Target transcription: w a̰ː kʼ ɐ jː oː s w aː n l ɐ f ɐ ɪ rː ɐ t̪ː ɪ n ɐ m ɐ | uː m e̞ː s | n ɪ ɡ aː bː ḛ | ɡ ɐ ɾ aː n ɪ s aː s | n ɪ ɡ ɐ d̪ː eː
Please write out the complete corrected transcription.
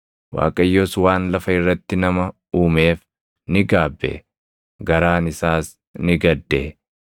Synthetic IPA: w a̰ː kʼ ɐ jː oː s w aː n l ɐ f ɐ ɪ rː ɐ t̪ː ɪ n ɐ m ɐ | uː m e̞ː f | n ɪ ɡ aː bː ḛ | ɡ ɐ ɾ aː n ɪ s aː s | n ɪ ɡ ɐ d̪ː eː